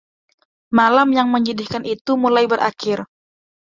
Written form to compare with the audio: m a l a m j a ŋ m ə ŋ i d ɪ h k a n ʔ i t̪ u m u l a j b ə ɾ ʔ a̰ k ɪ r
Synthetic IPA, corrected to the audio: m a l a m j a ŋ m ə ɲ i d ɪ h k a n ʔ i t̪ u m u l a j b ə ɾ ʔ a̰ k ɪ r